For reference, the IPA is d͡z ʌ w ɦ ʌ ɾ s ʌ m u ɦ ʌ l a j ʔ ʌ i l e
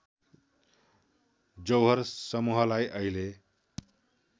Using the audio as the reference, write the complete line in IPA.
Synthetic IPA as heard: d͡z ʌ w ɦ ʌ ɾ s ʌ m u ɦ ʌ l a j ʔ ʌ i l e